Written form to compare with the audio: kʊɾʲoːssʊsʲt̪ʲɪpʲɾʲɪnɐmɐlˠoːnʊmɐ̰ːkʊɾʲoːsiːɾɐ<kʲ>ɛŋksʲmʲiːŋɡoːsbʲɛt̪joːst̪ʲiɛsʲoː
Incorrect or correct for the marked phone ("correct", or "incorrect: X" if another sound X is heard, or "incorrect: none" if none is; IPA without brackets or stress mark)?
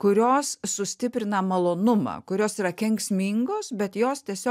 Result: correct